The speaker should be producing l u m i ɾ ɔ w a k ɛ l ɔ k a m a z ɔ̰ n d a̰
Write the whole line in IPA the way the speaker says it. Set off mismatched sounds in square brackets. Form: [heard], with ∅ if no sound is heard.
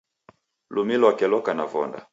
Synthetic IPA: l u m i [l] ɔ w a k ɛ l ɔ k a [n] a [v] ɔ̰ n d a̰